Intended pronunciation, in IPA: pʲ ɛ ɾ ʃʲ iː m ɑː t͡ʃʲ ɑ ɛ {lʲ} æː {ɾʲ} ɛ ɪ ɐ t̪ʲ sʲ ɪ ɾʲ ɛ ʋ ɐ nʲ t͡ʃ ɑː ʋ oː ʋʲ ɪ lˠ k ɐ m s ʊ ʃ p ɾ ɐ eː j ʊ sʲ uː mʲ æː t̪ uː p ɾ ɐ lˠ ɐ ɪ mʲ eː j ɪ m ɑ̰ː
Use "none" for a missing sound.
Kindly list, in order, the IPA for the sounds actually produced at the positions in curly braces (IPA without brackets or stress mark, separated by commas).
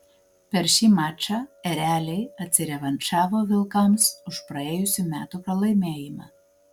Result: ɾʲ, lʲ